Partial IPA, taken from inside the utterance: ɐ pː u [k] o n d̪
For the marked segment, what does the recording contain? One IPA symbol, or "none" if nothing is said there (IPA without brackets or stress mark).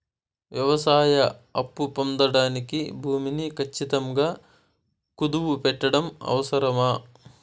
p